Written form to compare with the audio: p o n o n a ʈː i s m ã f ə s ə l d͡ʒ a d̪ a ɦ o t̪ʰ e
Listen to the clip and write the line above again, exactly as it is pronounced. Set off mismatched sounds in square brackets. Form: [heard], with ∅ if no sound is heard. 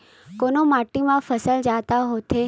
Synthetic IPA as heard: [k] o n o [m] a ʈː i [∅] m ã f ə s ə l d͡ʒ a [t̪] a ɦ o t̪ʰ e